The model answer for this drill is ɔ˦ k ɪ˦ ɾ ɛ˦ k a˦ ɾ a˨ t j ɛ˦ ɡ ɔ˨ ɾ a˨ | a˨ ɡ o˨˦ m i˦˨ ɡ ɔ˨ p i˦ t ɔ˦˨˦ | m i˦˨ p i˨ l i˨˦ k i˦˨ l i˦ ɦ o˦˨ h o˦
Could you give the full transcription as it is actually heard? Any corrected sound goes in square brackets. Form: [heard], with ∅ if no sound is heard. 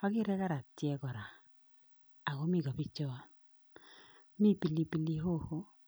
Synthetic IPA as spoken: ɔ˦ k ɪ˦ ɾ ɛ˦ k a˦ ɾ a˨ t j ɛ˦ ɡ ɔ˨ ɾ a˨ | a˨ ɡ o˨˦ m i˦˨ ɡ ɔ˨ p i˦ [t͡ʃ] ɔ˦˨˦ | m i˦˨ p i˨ l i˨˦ [p] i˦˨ l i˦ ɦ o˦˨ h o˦